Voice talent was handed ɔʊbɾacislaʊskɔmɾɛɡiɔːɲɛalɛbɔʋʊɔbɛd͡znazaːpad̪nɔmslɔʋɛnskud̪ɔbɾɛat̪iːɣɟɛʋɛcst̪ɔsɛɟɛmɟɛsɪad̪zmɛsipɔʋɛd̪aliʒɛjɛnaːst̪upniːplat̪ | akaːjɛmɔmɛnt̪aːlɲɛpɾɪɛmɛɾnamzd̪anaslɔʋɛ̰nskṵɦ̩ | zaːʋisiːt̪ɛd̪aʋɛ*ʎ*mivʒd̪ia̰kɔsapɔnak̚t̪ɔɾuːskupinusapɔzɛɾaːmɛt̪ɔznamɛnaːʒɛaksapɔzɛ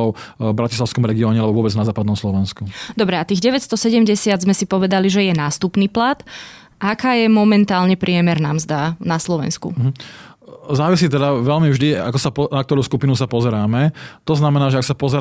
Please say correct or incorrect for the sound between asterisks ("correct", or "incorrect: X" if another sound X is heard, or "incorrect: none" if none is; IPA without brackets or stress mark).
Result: incorrect: l